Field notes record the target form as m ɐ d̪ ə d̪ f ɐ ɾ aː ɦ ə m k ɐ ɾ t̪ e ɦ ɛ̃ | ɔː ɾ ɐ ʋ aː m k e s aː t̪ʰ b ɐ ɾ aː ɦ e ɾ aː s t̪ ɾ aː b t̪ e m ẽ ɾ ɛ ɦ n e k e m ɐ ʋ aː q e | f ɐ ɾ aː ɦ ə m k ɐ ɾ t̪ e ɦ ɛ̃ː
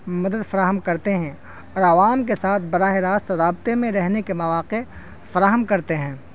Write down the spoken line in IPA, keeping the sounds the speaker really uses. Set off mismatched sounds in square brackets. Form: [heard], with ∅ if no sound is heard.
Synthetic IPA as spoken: m ɐ d̪ ə d̪ f ɐ ɾ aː ɦ ə m k ɐ ɾ t̪ e ɦ ɛ̃ | ɔː ɾ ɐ ʋ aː m k e s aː t̪ʰ b ɐ ɾ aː ɦ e ɾ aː s t̪ ɾ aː b t̪ e m ẽ ɾ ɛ ɦ n e k e m ɐ ʋ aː q e | f ɐ ɾ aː ɦ ə m k ɐ ɾ t̪ e ɦ ɛ̃ː